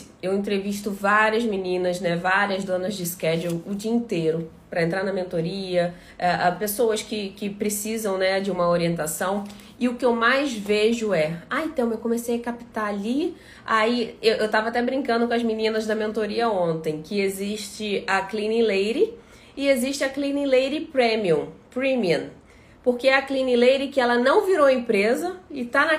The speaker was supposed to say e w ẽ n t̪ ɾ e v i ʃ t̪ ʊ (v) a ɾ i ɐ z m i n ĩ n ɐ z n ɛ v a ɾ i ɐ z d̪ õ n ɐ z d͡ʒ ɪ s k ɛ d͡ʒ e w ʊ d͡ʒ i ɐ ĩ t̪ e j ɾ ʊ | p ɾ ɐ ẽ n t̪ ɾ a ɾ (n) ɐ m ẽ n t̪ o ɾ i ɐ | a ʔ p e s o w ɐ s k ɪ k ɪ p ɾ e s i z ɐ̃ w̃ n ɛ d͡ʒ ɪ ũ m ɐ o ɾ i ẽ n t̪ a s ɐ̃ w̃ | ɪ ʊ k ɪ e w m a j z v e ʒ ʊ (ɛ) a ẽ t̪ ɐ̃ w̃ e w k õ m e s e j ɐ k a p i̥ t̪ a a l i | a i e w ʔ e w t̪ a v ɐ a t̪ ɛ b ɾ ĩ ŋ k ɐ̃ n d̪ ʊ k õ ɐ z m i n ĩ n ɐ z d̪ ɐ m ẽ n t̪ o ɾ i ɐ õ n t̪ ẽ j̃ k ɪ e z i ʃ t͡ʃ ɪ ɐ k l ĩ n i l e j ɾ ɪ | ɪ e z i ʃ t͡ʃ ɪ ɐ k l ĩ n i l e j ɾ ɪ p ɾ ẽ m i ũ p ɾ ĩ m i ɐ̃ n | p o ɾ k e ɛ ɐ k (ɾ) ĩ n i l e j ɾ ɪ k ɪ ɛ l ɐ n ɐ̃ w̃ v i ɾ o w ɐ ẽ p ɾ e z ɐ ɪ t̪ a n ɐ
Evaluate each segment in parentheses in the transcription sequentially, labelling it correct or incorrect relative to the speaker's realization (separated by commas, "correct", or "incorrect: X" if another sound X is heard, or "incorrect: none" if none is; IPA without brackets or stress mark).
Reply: correct, correct, correct, incorrect: l